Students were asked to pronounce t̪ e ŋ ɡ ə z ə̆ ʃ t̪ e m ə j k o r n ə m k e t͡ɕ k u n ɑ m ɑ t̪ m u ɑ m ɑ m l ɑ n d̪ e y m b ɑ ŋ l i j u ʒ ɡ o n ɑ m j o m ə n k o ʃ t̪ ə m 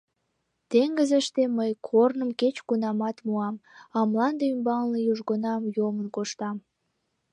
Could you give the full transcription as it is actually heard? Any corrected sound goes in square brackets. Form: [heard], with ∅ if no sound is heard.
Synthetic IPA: t̪ e ŋ ɡ ə z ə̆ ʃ t̪ e m ə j [kʰ] o r n ə m k e t͡ɕ k u n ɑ m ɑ t̪ m u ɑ m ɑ m l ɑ n d̪ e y m b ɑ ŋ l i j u ʒ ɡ o n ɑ m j o m ə n k o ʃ t̪ [ɑ] m